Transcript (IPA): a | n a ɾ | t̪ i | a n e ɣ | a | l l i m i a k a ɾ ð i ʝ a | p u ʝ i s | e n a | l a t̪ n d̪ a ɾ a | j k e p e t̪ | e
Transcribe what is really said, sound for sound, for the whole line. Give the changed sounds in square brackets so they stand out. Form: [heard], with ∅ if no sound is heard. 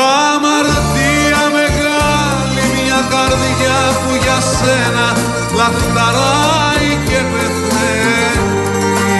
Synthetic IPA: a | [m] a ɾ | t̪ i | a [m] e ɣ | a | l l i m i a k a ɾ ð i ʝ a | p u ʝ [a] s | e n a | l a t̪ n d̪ a ɾ a | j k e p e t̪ | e